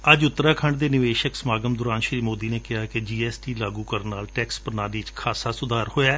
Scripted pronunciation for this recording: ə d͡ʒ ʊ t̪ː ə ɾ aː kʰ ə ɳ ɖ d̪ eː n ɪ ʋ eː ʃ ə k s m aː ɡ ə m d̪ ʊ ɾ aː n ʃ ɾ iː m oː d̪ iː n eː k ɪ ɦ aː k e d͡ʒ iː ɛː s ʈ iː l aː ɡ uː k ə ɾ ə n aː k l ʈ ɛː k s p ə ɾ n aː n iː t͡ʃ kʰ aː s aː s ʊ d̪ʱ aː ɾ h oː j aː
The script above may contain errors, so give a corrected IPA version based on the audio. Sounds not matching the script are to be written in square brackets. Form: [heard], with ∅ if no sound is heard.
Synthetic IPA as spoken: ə d͡ʒ ʊ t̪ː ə ɾ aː kʰ ə ɳ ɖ d̪ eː n ɪ ʋ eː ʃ ə k s m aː ɡ ə m d̪ ʊ ɾ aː n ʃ ɾ iː m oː d̪ iː n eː k ɪ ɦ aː k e d͡ʒ iː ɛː s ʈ iː l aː ɡ uː k ə ɾ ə n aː [∅] l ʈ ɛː k s p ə ɾ n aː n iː t͡ʃ kʰ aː s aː s ʊ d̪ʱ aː ɾ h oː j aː